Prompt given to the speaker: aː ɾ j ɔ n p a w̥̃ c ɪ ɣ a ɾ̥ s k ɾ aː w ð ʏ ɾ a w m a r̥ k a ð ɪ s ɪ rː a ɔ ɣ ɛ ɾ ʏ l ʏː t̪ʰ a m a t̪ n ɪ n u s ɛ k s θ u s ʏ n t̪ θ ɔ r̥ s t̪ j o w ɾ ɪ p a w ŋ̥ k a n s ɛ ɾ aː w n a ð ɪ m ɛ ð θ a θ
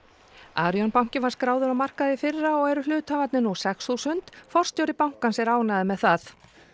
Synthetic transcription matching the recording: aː ɾ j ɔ n p a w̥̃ c ɪ v a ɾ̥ s k ɾ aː w ð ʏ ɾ a w m a r̥ k a ð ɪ f ɪ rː a ɔ ɣ ɛ ɾ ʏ l ʏː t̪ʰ a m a t̪ n ɪ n u s ɛ k s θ u s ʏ n t̪ f ɔ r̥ s t̪ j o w ɾ ɪ p a w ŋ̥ k a n s ɛ ɾ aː w n a ð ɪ m ɛ ð θ a θ